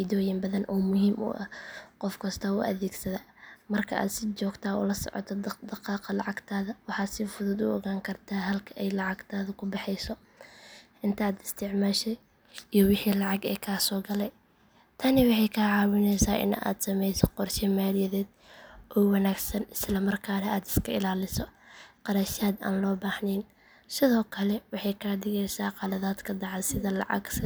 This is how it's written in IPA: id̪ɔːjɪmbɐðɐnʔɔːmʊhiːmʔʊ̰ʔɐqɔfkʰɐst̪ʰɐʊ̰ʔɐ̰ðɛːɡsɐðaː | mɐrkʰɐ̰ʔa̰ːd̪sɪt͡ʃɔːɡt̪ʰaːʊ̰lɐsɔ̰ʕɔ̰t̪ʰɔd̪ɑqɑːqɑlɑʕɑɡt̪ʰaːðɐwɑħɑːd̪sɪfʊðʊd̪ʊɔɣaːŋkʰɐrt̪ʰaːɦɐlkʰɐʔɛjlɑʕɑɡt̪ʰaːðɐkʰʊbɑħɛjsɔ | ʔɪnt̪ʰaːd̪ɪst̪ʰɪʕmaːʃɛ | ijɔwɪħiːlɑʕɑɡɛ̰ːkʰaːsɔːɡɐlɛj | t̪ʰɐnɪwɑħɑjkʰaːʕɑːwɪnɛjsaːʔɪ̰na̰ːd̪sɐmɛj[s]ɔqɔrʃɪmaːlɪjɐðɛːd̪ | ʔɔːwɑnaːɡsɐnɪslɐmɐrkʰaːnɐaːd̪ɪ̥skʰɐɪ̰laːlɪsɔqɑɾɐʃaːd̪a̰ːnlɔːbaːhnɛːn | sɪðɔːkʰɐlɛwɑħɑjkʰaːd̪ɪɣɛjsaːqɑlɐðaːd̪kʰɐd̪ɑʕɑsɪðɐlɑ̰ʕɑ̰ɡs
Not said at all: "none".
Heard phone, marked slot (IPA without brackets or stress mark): s